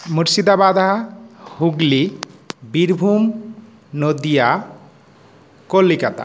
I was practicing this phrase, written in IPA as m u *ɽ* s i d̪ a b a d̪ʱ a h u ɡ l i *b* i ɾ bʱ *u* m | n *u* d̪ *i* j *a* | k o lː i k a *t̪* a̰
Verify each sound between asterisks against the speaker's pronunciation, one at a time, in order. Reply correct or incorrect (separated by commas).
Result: incorrect, correct, correct, incorrect, correct, correct, correct